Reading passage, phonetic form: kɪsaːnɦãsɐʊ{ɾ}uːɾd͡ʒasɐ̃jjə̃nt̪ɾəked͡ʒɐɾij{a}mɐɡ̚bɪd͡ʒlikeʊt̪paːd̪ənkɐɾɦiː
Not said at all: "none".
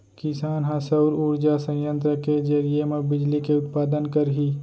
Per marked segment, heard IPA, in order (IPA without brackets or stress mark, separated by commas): ɾ, e